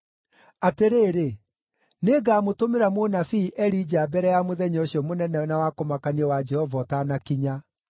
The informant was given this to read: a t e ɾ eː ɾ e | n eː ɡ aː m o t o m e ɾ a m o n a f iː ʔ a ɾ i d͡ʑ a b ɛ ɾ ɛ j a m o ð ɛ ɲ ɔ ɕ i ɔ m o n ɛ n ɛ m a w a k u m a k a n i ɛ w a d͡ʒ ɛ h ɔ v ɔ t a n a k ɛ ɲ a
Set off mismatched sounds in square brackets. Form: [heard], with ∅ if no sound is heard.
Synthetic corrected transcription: a t e ɾ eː ɾ e | n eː ɡ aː m o t o m e ɾ a m o n a f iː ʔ [ɛ] ɾ i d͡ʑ a b ɛ ɾ ɛ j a m o ð ɛ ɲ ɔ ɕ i ɔ m o n ɛ n ɛ [n] a w a k [o] m a k a n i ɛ w a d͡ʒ ɛ h ɔ v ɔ t a n a k [i] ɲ a